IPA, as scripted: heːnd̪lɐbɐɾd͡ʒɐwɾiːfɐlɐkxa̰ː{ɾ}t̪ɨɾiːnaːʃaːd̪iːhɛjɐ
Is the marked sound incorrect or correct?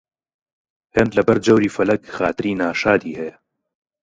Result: incorrect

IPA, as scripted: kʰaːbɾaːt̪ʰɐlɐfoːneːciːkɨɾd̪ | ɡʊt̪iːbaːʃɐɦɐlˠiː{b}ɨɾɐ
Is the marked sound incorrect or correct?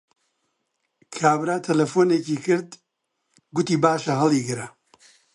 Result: incorrect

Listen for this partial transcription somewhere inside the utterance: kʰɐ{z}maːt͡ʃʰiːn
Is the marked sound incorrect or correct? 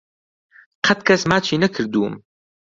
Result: incorrect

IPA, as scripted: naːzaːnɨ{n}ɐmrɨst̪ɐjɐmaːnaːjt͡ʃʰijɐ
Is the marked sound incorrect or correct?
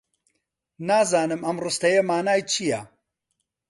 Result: incorrect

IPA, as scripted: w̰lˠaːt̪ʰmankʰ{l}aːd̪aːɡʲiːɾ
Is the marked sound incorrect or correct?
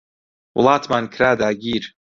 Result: incorrect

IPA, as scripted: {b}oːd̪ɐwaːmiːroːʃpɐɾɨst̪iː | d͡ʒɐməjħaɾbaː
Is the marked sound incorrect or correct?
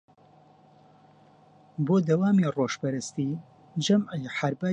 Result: correct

